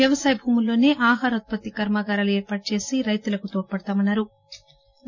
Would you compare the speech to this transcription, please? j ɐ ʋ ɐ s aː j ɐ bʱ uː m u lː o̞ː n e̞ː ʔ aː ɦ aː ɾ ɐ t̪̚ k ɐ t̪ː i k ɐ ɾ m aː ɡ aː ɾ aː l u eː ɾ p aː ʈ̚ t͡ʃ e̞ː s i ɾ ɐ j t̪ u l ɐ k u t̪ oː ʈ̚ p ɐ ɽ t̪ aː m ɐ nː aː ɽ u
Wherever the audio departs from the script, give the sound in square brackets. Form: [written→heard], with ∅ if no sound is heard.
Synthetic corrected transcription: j ɐ ʋ ɐ s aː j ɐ bʱ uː m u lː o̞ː n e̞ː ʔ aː ɦ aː ɾ ɐ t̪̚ [k→p] ɐ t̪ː i k ɐ ɾ m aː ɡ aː ɾ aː l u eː ɾ p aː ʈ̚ t͡ʃ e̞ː s i ɾ ɐ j t̪ u l ɐ k u t̪ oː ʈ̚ p ɐ ɽ t̪ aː m ɐ nː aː [ɽ→ɾ] u